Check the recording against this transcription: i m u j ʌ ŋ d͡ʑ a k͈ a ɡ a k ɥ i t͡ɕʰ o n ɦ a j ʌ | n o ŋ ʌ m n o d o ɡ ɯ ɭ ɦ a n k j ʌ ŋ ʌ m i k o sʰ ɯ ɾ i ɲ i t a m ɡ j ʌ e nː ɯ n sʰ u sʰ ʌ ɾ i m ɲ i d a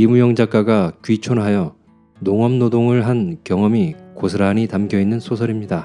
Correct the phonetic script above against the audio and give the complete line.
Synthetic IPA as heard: i m u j ʌ ŋ d͡ʑ a k͈ a ɡ a k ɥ i t͡ɕʰ o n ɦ a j ʌ | n o ŋ ʌ m n o d o ŋ ɯ ɭ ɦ a n k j ʌ ŋ ʌ m i k o sʰ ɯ ɾ a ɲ i t a m ɡ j ʌ i nː ɯ n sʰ o sʰ ʌ ɾ i m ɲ i d a